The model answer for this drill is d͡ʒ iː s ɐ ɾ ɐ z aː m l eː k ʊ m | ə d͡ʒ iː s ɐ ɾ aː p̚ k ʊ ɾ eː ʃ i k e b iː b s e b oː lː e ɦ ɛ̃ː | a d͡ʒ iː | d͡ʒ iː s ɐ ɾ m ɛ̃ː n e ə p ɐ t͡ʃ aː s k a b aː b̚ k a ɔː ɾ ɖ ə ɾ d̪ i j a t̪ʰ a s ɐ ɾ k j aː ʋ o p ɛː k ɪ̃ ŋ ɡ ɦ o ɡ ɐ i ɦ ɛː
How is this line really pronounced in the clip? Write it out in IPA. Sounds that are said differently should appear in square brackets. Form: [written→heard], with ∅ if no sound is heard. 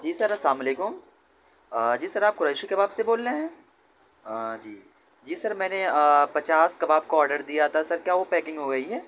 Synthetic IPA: d͡ʒ iː s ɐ ɾ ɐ [z→s] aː m l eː k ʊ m | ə d͡ʒ iː s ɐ ɾ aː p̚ k ʊ ɾ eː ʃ i k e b [iː→aː] b s e b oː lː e ɦ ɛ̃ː | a d͡ʒ iː | d͡ʒ iː s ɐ ɾ m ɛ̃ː n e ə p ɐ t͡ʃ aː s k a b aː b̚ k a ɔː ɾ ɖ ə ɾ d̪ i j a t̪ʰ a s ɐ ɾ k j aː ʋ o p ɛː k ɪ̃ ŋ ɡ ɦ o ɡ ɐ i ɦ ɛː